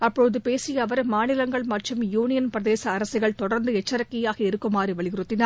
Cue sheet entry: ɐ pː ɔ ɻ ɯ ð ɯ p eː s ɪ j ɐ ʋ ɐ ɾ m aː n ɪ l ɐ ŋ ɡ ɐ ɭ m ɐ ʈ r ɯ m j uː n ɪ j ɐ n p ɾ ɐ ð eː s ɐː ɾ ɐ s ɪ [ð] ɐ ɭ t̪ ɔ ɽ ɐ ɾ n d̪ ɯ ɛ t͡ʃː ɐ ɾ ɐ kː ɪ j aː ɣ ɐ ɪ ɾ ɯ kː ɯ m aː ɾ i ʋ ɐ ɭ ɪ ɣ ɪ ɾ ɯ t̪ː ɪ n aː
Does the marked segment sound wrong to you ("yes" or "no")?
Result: yes